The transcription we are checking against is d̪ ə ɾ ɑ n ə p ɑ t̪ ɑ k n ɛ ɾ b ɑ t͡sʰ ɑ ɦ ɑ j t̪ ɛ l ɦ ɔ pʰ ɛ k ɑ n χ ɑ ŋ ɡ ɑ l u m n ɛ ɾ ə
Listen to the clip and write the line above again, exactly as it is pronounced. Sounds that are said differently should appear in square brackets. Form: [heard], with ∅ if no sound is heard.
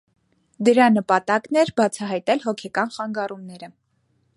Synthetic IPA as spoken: d̪ ə ɾ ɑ n ə p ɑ t̪ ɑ k n ɛ ɾ b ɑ t͡sʰ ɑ ɦ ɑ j t̪ ɛ l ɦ ɔ [kʰ] ɛ k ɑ n χ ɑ ŋ ɡ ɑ [r] u m n ɛ ɾ ə